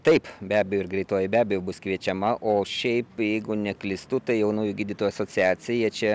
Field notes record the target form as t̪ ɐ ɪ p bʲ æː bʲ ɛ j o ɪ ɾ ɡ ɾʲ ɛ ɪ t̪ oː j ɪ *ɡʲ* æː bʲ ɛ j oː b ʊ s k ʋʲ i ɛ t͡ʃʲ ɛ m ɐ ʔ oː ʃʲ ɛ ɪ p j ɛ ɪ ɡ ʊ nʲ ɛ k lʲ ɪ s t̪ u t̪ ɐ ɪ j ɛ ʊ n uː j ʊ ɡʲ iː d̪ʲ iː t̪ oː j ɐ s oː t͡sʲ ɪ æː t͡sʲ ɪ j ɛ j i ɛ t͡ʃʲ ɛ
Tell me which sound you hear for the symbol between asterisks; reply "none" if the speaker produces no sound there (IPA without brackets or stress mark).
bʲ